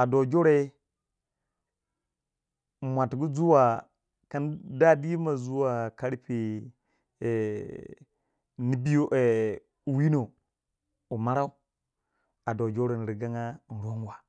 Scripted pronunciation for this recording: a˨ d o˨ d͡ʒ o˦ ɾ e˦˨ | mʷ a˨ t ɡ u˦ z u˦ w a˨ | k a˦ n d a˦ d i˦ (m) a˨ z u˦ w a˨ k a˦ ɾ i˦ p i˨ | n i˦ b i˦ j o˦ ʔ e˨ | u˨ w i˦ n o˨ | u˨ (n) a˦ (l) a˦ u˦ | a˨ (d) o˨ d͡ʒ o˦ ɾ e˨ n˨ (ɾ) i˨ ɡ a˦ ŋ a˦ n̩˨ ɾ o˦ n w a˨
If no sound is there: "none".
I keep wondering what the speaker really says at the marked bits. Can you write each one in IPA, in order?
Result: m, m, ɾ, d, ɾ

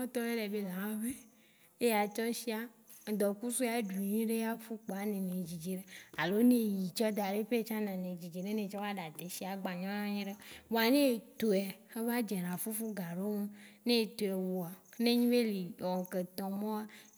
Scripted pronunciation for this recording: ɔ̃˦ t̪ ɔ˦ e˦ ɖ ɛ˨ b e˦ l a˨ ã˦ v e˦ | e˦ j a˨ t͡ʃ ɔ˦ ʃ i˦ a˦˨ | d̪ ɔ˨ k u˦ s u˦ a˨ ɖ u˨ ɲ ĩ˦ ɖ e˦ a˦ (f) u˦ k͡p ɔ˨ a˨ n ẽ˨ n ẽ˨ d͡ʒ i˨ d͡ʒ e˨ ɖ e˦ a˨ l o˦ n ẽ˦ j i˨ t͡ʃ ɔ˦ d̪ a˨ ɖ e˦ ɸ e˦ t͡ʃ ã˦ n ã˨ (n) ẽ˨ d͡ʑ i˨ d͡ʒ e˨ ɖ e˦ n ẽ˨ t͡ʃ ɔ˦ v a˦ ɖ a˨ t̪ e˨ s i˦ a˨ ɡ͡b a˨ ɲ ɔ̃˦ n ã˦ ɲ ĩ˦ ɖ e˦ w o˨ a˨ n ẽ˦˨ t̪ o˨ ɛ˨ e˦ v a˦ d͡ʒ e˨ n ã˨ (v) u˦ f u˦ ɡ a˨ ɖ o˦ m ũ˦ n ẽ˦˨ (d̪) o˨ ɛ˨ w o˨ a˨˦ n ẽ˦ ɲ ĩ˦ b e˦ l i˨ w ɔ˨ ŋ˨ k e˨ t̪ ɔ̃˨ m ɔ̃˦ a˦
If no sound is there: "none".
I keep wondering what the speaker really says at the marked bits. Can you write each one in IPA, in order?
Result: f, n, f, t̪

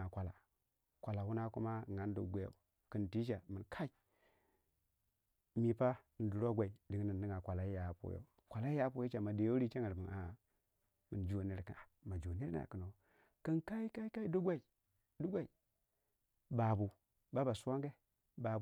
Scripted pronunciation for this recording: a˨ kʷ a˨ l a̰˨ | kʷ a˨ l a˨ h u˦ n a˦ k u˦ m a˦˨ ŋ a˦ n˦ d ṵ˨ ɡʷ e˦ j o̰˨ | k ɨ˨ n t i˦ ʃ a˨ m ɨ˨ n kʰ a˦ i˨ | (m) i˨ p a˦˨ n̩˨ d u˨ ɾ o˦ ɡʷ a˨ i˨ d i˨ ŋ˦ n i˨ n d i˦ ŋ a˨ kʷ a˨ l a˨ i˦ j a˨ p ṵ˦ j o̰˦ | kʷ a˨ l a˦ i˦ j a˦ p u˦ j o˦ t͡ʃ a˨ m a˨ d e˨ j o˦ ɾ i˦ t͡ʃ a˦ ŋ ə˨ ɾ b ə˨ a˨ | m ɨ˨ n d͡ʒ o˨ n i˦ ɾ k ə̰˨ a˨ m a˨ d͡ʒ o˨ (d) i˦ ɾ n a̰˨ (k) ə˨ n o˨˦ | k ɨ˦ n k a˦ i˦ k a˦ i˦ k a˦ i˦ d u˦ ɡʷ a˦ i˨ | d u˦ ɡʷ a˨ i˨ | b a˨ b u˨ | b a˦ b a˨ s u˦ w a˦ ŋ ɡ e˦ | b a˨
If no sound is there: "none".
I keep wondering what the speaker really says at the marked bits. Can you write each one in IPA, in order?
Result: m, n, k

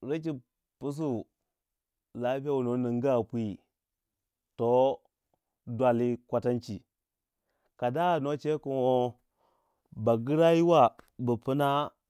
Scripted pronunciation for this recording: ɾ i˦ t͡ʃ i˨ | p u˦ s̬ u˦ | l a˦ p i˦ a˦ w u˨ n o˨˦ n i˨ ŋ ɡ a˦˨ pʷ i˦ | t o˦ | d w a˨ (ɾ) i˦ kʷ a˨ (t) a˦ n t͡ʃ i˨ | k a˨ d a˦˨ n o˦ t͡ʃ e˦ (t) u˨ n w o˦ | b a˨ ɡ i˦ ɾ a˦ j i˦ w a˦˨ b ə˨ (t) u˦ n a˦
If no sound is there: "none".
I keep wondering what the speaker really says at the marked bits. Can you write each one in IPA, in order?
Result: l, t, k, p

